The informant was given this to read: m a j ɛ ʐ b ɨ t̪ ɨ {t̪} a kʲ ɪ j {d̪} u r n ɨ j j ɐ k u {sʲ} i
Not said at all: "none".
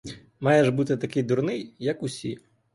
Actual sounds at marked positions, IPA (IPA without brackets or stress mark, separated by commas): t̪, d̪, sʲ